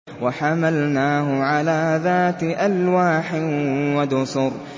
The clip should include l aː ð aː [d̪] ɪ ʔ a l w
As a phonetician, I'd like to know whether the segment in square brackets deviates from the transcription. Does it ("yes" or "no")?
yes